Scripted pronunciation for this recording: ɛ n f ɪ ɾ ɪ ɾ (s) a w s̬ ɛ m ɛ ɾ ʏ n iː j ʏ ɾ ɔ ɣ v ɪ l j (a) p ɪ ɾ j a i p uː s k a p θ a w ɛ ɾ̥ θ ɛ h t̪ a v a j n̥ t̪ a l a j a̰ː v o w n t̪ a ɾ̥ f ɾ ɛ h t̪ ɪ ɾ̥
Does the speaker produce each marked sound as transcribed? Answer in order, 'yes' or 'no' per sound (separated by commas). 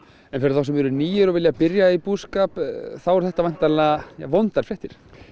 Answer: no, yes